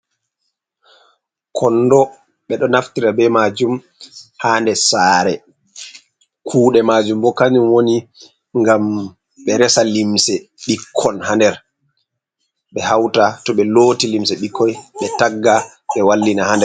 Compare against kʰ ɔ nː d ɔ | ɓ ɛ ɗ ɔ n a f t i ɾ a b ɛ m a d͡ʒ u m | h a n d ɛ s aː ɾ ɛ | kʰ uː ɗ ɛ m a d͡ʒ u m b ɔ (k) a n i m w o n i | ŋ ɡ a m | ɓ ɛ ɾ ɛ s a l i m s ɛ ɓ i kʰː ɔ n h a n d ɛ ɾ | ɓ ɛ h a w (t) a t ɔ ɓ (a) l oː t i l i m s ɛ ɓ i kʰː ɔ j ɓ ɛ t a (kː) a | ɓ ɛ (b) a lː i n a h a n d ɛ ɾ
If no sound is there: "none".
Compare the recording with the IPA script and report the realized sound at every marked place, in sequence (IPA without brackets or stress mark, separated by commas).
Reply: k, t, ɛ, ɡː, w